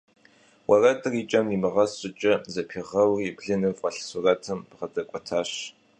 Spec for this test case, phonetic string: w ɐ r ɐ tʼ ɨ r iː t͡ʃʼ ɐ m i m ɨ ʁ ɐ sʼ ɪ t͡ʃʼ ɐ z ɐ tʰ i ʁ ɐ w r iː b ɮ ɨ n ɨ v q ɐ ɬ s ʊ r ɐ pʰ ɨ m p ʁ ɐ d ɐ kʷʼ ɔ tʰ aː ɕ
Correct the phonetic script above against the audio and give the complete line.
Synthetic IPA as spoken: w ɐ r ɐ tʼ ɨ r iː t͡ʃʼ ɐ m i m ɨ ʁ ɐ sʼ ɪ t͡ʃʼ ɐ z ɐ pʰ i ʁ ɐ w r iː b ɮ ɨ n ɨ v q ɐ ɬ s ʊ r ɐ tʰ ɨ m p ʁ ɐ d ɐ kʷʼ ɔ tʰ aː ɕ